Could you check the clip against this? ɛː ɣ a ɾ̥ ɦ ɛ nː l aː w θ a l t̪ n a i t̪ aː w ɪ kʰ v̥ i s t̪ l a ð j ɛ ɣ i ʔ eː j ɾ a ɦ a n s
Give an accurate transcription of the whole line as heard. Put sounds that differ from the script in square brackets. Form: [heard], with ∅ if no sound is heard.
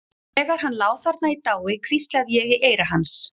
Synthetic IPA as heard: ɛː ɣ a ɾ̥ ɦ [a] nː l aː w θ a [ɾ] t̪ n a i t̪ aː w ɪ kʰ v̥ i s t̪ l a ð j ɛ ɣ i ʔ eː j ɾ a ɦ a n s